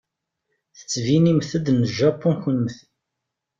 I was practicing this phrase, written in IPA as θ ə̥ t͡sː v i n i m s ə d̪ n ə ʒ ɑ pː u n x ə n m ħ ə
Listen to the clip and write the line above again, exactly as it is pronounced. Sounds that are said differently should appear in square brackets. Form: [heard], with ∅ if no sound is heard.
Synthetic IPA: θ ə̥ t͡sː v i n i m [θ] ə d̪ n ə ʒ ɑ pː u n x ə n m [θ] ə